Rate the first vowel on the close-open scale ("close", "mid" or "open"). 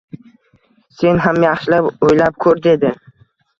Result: mid